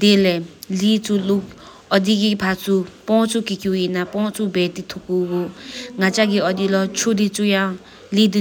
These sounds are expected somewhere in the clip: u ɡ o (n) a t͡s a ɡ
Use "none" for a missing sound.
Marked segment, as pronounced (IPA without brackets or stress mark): ŋ